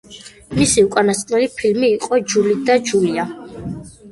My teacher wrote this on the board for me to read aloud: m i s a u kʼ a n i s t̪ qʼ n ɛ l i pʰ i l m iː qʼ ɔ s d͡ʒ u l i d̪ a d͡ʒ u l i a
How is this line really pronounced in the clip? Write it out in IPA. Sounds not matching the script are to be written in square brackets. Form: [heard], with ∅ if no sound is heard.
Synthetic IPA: m i s [i] u kʼ a n [a] s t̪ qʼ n ɛ l i pʰ i l m iː qʼ ɔ [∅] d͡ʒ u l i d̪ a d͡ʒ u l i a